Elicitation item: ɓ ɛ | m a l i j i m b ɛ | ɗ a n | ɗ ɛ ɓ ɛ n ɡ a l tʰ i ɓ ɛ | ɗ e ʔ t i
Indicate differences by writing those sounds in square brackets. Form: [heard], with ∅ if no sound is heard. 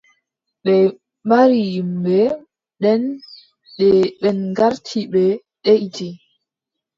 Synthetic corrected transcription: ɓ ɛ | m a [ɾ] i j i m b ɛ | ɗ [ɛ] n | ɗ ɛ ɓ ɛ n ɡ a [ɾ] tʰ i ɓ ɛ | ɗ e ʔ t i